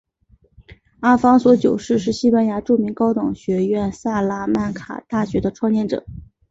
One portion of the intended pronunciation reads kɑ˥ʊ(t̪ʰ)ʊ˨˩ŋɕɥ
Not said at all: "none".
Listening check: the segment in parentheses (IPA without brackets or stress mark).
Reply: t̪